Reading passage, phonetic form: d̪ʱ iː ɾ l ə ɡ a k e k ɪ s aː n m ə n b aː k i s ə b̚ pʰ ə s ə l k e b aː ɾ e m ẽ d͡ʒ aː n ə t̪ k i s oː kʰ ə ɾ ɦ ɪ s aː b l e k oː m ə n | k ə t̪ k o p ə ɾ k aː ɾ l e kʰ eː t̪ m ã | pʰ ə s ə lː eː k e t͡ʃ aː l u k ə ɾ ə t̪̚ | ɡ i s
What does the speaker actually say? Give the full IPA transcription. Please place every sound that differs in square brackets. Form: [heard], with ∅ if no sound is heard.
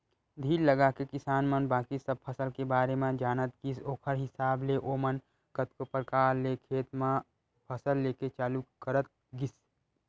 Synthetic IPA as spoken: d̪ʱ iː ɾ l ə ɡ a k e k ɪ s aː n m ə n b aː k i s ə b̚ pʰ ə s ə l k e b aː ɾ e m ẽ d͡ʒ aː n ə t̪ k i s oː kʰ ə ɾ ɦ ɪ s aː b l e [ʔ] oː m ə n | k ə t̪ k o p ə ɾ k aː ɾ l e kʰ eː t̪ m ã | pʰ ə s ə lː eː k e t͡ʃ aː l u k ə ɾ ə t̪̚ | ɡ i s